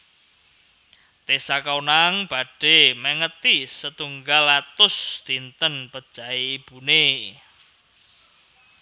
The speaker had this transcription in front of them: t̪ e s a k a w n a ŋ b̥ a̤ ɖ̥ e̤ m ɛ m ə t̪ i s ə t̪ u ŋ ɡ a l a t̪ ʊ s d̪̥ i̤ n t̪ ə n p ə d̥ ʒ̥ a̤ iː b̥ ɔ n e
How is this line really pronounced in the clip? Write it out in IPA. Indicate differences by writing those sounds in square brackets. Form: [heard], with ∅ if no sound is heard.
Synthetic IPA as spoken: t̪ e s a k a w n a ŋ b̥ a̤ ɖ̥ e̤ m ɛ [ŋ] ə t̪ i s ə t̪ u ŋ ɡ a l a t̪ ʊ s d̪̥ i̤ n t̪ ə n p ə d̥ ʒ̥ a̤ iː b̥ [u] n e